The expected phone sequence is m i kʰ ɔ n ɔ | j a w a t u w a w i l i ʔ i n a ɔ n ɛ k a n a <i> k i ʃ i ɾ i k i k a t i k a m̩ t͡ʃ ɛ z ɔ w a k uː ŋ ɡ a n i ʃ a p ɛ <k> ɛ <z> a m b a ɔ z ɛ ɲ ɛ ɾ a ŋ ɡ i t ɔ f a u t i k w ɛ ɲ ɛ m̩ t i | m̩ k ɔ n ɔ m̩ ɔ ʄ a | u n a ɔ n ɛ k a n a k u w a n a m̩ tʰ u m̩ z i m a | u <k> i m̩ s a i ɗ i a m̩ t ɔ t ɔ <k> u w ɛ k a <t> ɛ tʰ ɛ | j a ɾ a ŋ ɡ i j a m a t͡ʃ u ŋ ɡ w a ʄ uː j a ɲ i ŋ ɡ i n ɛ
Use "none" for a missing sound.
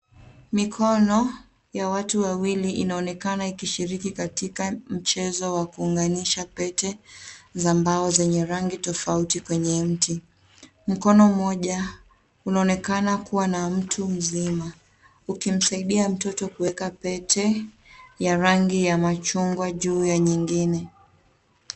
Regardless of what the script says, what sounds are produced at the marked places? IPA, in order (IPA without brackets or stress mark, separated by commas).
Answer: i, t, z, k, k, p